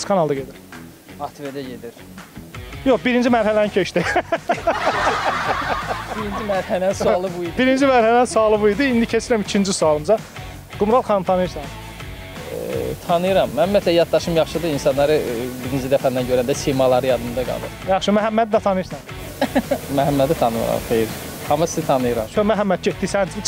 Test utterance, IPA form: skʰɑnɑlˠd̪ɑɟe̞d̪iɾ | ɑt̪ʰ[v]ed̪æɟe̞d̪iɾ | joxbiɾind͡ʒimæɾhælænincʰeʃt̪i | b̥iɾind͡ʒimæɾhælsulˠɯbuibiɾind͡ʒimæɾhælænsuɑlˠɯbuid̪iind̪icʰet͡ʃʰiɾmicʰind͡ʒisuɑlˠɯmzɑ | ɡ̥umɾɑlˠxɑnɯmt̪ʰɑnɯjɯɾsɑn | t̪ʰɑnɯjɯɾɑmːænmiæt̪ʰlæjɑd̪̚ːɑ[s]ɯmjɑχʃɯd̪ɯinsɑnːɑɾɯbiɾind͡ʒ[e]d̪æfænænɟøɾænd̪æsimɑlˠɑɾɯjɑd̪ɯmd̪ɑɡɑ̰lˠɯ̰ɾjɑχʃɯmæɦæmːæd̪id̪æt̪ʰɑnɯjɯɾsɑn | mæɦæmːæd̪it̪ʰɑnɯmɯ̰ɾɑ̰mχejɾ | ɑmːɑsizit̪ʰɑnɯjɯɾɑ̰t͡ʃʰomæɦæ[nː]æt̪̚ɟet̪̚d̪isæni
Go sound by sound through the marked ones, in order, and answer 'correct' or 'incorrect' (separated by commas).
correct, incorrect, incorrect, incorrect